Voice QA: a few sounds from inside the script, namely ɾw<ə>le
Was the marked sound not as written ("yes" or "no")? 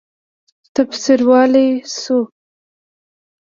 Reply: yes